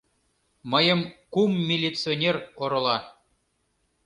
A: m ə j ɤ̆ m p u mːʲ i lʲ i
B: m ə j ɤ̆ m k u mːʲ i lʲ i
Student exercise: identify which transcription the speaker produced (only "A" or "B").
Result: B